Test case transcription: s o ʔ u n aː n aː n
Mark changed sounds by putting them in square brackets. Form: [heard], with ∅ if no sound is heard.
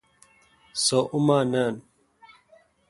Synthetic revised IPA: s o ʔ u [m] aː n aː n